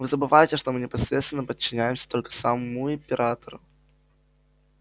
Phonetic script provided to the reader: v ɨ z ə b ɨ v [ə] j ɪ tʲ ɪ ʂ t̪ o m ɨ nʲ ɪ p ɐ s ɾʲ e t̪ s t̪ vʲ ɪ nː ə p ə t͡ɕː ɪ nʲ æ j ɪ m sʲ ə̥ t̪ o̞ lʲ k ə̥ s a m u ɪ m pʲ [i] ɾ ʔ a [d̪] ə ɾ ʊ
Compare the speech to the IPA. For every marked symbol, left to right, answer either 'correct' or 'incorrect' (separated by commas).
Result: incorrect, incorrect, incorrect